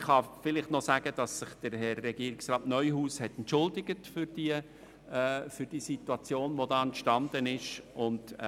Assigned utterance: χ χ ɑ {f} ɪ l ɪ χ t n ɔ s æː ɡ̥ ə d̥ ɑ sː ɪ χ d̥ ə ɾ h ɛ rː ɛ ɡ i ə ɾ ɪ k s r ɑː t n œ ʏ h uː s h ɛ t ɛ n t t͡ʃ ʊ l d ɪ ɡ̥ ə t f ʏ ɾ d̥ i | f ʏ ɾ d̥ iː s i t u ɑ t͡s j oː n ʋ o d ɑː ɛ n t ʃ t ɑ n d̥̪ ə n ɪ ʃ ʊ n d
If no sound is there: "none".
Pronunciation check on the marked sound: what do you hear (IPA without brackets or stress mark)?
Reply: f